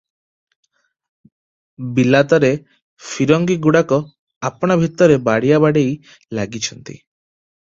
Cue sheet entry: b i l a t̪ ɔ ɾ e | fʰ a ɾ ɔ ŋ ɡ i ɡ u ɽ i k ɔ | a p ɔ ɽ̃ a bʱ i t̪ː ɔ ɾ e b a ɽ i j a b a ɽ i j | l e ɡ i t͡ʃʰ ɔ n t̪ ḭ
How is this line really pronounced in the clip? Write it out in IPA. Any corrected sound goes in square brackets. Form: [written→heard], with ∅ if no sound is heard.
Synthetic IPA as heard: b i l a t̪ ɔ ɾ e | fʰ [a→i] ɾ ɔ ŋ ɡ i ɡ u ɽ [i→a] k ɔ | a p ɔ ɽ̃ a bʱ i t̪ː ɔ ɾ e b a ɽ i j a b a ɽ [i→e] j | l [e→a] ɡ i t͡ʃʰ ɔ n t̪ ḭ